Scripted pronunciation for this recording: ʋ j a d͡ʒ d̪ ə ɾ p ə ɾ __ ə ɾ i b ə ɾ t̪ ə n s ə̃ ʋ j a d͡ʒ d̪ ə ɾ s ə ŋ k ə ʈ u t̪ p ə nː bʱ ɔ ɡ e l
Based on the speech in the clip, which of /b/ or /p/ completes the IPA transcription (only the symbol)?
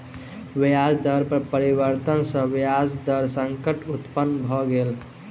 p